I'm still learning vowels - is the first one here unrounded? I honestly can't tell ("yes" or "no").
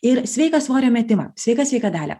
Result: yes